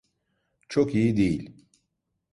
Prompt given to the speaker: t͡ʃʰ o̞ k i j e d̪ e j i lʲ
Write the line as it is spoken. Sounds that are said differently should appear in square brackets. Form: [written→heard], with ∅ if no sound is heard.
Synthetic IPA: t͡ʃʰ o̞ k i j [e→i] d̪ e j i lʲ